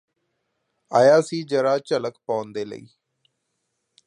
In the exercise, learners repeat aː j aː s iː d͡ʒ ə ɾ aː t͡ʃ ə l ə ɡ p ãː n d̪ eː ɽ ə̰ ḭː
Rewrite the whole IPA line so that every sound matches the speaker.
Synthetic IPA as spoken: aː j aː s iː d͡ʒ ə ɾ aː t͡ʃ ə l ə k p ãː n d̪ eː l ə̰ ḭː